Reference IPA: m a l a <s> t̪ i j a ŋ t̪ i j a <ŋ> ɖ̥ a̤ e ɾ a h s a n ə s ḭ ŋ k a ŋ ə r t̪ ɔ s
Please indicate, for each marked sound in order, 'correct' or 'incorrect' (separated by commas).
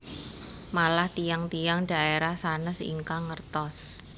incorrect, correct